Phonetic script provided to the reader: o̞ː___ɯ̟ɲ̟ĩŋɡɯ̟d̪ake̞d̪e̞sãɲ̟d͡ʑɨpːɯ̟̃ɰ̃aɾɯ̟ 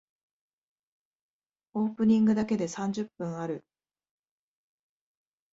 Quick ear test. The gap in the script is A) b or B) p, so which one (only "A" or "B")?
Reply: B